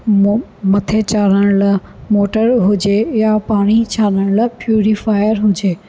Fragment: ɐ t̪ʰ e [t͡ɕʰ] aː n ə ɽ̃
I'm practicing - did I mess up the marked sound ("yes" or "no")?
yes